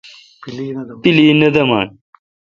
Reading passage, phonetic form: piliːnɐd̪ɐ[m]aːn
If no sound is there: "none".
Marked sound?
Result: m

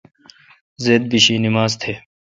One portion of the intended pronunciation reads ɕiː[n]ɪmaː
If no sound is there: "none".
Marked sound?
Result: n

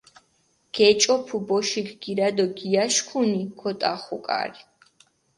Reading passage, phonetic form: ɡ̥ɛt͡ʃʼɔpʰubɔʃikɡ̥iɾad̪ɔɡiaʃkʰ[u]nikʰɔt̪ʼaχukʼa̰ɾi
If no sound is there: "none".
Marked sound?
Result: u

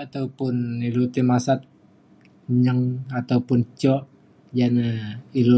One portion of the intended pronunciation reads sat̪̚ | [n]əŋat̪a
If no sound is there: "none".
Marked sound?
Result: ɲ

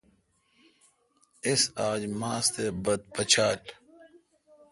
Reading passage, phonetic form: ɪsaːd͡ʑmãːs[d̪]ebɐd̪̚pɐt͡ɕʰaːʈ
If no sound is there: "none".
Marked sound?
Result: t̪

